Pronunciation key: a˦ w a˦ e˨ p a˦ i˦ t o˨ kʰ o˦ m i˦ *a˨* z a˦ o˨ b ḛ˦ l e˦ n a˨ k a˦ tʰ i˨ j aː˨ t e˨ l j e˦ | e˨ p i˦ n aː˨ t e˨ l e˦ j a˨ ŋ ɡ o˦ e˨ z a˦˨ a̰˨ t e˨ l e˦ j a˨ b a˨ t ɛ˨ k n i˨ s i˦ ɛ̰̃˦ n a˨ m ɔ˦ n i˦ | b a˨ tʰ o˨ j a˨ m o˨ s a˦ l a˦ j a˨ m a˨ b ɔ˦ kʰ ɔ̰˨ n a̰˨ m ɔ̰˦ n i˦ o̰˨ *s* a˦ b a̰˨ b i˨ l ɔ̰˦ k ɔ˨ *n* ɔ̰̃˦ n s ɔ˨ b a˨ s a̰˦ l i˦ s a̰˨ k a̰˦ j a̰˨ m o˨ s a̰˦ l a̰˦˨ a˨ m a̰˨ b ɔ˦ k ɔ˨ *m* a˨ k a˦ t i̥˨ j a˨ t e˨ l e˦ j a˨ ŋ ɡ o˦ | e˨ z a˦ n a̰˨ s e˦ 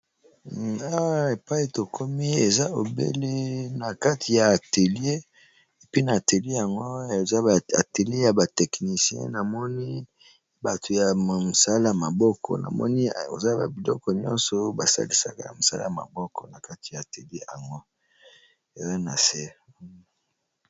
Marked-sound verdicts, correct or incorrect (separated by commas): incorrect, incorrect, incorrect, incorrect